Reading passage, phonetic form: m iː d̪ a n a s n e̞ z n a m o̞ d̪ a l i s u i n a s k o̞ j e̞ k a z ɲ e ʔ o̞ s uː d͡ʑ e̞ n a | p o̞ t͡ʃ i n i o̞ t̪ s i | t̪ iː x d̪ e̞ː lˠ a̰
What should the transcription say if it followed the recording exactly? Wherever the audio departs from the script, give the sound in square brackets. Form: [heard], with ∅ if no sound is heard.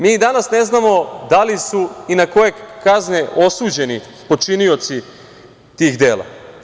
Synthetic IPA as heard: m iː d̪ a n a s n e̞ z n a m o̞ d̪ a l i s u i n a [∅] k o̞ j e̞ k a z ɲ e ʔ o̞ s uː d͡ʑ e̞ n [i] | p o̞ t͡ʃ i n i o̞ t̪ s i | t̪ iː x d̪ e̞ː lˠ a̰

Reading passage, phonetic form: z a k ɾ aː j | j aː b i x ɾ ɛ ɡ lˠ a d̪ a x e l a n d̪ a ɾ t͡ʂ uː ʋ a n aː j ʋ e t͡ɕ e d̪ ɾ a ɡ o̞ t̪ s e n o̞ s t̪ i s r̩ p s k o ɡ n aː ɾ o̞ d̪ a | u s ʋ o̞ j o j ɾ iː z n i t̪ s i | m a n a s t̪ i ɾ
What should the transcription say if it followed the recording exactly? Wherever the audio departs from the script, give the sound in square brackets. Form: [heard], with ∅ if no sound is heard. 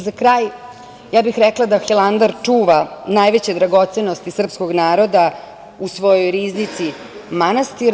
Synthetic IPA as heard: z a k ɾ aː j | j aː b i x ɾ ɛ [k] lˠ a d̪ a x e l a n d̪ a ɾ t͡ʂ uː ʋ a n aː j ʋ e t͡ɕ e d̪ ɾ a ɡ o̞ t̪ s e n o̞ s t̪ i s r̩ p s k o ɡ n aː ɾ o̞ d̪ a | u s ʋ o̞ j o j ɾ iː z n i t̪ s i | m a n a s t̪ i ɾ

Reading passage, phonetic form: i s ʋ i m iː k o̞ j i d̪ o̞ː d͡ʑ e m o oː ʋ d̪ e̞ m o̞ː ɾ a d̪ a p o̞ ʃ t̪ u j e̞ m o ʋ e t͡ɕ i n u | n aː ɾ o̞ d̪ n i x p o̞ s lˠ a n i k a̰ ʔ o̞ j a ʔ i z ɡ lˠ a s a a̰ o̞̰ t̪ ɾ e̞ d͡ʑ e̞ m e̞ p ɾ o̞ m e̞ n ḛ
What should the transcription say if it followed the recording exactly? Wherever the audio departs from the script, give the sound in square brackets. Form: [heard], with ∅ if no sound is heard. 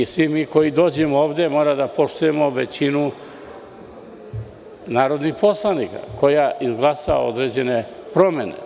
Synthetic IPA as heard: i s ʋ i m iː k o̞ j i d̪ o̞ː d͡ʑ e m o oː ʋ d̪ e̞ m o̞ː ɾ a d̪ a p o̞ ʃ t̪ u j e̞ m o ʋ e t͡ɕ i n u | n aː ɾ o̞ d̪ n i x p o̞ s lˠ a n i k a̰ [k] o̞ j a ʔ i z ɡ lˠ a s a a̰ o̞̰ [d̪] ɾ e̞ d͡ʑ e̞ [n] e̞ p ɾ o̞ m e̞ n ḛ

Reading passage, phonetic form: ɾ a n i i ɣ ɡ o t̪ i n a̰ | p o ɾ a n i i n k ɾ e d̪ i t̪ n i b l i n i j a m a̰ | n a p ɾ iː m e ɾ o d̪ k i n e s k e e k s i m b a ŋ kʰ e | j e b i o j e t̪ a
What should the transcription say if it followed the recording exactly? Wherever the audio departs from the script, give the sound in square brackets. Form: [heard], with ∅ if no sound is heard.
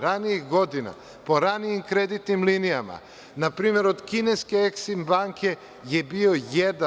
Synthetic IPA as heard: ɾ a n i i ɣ ɡ o [d̪] i n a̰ | p o ɾ a n i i [m] k ɾ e d̪ i t̪ n i [m] l i n i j a m a̰ | n a p ɾ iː m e ɾ o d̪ k i n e s k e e k s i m b a ŋ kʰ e | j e b i o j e [d̪] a

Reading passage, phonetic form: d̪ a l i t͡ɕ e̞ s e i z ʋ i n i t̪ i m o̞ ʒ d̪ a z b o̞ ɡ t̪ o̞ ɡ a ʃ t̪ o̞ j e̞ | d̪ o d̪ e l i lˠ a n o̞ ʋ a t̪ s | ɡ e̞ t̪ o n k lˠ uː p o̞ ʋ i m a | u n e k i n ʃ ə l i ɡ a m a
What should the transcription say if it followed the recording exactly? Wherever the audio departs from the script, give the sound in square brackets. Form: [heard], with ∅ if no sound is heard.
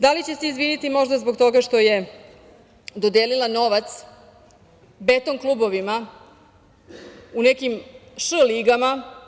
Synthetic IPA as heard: d̪ a l i t͡ɕ e̞ s e i z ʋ i n i t̪ i m o̞ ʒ d̪ a z b o̞ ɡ t̪ o̞ ɡ a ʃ t̪ o̞ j e̞ | d̪ o d̪ e l i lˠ a n o̞ ʋ a t̪ s | [b] e̞ t̪ o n k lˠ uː [b] o̞ ʋ i m a | u n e k i [m] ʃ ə l i ɡ a m a

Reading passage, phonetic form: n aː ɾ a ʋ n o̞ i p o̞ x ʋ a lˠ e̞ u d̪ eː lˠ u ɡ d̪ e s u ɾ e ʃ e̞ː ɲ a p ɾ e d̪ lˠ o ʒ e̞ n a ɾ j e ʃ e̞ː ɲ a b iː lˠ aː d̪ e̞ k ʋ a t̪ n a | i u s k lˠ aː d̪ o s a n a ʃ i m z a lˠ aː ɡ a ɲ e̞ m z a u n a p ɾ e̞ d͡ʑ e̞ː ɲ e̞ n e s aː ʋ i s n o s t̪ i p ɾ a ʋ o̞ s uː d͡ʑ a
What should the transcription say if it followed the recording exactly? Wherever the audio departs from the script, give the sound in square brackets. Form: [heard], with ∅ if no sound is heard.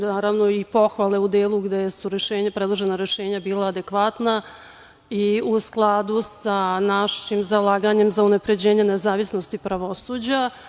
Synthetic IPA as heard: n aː ɾ a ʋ n o̞ i p o̞ x ʋ a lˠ e̞ u d̪ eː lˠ u ɡ d̪ e s u ɾ e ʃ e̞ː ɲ a p ɾ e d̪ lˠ o ʒ e̞ n a ɾ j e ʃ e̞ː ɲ a b iː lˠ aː d̪ e̞ k ʋ a t̪ n a | i u s k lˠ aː d̪ [u] s a n a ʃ i m z a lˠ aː ɡ a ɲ e̞ m z a u n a p ɾ e̞ d͡ʑ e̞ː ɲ e̞ n e [z] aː ʋ i s n o s t̪ i p ɾ a ʋ o̞ s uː d͡ʑ a

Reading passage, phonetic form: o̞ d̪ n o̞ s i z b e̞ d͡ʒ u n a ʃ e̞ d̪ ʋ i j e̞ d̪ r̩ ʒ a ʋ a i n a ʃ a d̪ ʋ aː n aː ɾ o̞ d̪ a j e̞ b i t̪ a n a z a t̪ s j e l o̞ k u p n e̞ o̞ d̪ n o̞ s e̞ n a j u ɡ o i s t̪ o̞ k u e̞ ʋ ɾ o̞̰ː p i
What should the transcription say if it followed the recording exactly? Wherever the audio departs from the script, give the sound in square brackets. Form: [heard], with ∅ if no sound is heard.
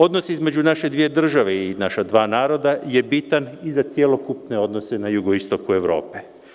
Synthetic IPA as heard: o̞ d̪ n o̞ s i z [m] e̞ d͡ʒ u n a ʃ e̞ d̪ ʋ i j e̞ d̪ r̩ ʒ a ʋ [e] i n a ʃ a d̪ ʋ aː n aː ɾ o̞ d̪ a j e̞ b i t̪ a n [i] z a t̪ s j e l o̞ k u p n e̞ o̞ d̪ n o̞ s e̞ n a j u ɡ o i s t̪ o̞ k u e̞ ʋ ɾ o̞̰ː p [e]

